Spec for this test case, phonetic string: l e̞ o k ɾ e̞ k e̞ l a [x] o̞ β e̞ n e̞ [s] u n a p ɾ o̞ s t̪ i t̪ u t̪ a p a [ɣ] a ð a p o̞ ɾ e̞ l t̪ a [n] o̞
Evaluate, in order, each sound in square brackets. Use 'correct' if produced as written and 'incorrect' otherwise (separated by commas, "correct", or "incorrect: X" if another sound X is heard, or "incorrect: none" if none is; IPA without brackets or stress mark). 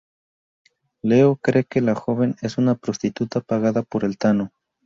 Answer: correct, correct, correct, correct